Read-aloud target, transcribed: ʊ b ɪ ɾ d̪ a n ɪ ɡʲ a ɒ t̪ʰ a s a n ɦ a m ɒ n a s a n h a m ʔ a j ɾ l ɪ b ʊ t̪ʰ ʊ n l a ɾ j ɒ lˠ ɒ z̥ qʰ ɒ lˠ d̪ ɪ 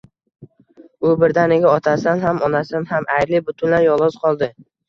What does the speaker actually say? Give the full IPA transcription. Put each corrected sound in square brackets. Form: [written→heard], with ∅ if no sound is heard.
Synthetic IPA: ʊ b ɪ ɾ d̪ a n ɪ ɡʲ a ɒ t̪ʰ a s a n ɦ a m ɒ n a s a n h a m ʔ a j ɾ l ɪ b ʊ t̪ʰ ʊ n l a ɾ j ɒ lˠ ɒ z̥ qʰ ɒ lˠ d̪ ɪ

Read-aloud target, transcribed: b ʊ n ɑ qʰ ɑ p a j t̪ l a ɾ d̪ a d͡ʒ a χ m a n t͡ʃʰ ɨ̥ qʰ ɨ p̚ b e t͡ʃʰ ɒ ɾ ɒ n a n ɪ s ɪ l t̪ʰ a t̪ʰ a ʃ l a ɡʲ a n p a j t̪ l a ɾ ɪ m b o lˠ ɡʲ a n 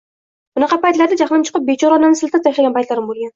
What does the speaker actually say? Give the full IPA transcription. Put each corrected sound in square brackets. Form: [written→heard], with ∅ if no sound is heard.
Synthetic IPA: b ʊ n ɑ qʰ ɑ p a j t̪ l a ɾ d̪ a d͡ʒ a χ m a n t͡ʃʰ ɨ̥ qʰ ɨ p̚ b e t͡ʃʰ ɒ ɾ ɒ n a n ɪ s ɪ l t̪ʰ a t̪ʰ a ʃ l a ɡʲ a n p a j t̪ l a ɾ ɪ m b o lˠ ɡʲ a n

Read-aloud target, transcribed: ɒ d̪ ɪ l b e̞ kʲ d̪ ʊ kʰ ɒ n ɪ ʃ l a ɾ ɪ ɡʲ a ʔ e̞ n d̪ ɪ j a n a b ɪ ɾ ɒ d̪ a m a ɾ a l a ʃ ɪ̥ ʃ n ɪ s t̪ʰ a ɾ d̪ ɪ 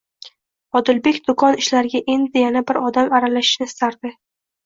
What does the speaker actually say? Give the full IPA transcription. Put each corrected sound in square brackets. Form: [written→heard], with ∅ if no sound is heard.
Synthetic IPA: ɒ d̪ ɪ l b e̞ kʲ d̪ ʊ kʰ ɒ n ɪ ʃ l a ɾ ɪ ɡʲ a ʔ e̞ n d̪ ɪ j a n a b ɪ ɾ ɒ d̪ a m a ɾ a l a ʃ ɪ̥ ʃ n ɪ s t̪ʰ a ɾ d̪ ɪ

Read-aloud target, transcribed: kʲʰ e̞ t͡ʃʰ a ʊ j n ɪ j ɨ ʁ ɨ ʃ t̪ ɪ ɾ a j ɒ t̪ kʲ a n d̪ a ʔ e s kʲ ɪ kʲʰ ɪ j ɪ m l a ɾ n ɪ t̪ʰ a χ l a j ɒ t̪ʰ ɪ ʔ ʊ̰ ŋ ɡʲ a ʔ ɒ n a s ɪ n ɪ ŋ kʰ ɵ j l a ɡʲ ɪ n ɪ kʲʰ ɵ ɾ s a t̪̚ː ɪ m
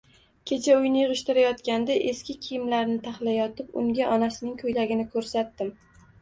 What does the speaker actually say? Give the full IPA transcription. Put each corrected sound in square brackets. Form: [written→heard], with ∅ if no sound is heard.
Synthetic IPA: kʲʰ e̞ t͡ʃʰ a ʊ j n ɪ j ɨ ʁ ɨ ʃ t̪ ɪ ɾ a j ɒ t̪ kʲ a n d̪ a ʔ e s kʲ ɪ kʲʰ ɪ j ɪ m l a ɾ n ɪ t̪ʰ a χ l a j ɒ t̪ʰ ɪ [ʔ→p] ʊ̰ ŋ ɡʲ a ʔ ɒ n a s ɪ n ɪ ŋ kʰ ɵ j l a ɡʲ ɪ n ɪ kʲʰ ɵ ɾ s a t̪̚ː ɪ m

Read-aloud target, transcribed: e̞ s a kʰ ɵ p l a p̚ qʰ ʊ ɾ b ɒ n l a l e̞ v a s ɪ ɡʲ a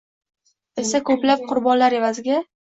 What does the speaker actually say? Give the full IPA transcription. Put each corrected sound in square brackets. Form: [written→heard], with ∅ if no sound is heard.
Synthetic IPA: e̞ s a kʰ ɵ p l a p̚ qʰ ʊ ɾ b ɒ n l a [l→ɾ] e̞ v a [s→z] ɪ ɡʲ a

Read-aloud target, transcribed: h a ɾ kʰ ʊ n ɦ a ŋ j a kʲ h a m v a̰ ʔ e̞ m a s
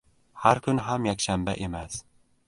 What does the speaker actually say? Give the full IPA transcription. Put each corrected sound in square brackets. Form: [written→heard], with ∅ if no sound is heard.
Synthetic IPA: h a ɾ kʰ ʊ n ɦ a [ŋ→m] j a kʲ [h→ʃ] a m [v→b] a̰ ʔ e̞ m a s

